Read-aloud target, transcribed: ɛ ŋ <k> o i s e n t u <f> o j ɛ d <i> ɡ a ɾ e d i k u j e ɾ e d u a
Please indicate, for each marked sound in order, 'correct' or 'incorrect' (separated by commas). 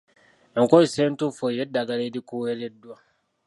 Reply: correct, correct, incorrect